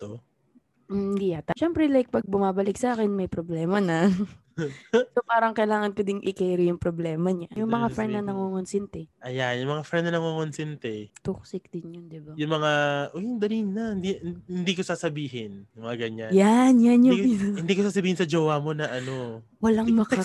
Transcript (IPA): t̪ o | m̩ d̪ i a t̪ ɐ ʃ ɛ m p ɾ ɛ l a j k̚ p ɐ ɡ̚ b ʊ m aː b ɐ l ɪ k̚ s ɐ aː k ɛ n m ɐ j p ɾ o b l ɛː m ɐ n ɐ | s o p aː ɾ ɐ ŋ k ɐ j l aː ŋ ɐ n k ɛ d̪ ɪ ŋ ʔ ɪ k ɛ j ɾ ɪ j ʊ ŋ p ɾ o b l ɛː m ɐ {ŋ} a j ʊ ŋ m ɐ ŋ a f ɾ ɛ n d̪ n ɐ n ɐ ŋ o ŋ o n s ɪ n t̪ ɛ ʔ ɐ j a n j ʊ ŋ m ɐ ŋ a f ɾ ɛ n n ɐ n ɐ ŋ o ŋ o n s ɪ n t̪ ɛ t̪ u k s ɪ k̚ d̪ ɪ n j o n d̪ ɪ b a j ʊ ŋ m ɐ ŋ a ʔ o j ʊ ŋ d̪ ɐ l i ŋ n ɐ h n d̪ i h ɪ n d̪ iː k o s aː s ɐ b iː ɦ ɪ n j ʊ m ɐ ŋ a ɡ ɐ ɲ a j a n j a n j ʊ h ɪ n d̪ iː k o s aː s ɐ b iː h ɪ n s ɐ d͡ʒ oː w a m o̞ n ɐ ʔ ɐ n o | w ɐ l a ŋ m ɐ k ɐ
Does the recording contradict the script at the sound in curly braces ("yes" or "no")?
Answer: yes